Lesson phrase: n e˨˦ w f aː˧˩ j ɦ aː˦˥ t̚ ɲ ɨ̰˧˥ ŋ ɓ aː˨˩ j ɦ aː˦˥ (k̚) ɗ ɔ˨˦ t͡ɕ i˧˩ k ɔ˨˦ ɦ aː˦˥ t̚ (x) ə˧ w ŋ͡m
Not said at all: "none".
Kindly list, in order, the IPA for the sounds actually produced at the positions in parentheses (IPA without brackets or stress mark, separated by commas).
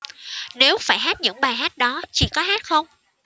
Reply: t̚, x